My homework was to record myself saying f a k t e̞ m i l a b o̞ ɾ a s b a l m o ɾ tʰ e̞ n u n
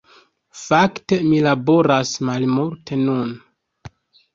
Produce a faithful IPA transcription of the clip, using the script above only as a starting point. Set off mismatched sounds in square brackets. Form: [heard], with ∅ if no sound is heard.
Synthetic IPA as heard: f a k t e̞ m i l a b o̞ ɾ a s [m] a l m [u] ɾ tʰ e̞ n u n